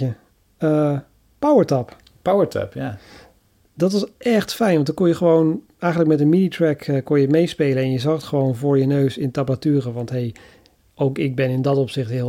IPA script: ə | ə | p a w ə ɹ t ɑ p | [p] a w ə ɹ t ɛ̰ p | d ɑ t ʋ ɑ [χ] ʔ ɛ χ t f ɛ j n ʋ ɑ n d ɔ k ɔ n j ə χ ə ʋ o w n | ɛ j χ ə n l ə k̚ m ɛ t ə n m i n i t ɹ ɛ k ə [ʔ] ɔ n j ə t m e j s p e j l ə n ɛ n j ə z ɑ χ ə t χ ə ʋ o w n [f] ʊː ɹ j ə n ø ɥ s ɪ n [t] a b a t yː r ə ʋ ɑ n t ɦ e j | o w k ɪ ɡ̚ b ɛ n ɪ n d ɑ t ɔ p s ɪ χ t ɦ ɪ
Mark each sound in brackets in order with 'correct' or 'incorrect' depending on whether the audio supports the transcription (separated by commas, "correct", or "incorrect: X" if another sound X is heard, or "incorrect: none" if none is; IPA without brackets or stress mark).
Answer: correct, incorrect: s, incorrect: k, incorrect: v, correct